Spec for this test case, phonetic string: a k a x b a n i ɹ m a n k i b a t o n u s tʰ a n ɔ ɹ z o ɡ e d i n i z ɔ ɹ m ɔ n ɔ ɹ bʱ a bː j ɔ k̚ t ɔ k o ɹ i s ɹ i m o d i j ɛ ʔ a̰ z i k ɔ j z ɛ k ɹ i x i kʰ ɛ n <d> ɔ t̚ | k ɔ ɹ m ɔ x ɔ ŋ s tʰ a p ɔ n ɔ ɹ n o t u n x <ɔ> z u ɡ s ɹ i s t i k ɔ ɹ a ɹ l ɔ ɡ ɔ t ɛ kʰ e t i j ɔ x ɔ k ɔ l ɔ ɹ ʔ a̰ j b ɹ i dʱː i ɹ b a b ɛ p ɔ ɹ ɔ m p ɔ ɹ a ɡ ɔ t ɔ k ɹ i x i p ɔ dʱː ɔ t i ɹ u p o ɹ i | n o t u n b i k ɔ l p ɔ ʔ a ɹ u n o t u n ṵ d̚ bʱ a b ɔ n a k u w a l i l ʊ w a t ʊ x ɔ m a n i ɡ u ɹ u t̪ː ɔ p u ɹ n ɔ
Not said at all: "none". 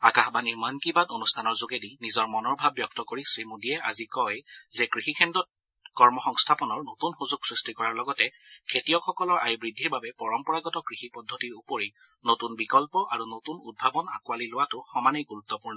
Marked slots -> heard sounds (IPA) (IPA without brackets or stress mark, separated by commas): d, u